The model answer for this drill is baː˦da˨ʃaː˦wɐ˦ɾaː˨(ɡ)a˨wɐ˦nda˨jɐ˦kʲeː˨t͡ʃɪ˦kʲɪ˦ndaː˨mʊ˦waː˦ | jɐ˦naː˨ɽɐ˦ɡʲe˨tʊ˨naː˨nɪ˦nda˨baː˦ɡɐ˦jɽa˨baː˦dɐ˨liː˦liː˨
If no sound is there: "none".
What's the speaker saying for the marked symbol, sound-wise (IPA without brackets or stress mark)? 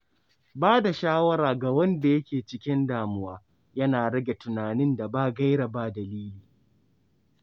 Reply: ɡ